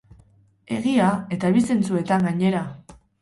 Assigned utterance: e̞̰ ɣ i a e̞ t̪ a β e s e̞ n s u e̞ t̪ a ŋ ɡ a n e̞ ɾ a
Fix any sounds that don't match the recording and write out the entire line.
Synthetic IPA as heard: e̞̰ ɣ i a e̞ t̪ a β i s e̞ n t͡s u e̞ t̪ a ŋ ɡ a ɲ e̞ ɾ a